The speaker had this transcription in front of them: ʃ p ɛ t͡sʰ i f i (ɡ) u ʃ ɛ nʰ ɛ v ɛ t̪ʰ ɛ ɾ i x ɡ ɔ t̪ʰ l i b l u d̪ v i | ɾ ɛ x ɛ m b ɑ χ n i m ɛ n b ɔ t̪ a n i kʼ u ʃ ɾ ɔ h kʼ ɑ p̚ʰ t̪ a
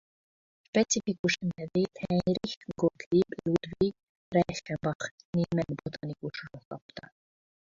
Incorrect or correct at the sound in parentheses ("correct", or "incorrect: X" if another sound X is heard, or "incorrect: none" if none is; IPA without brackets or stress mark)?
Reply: incorrect: k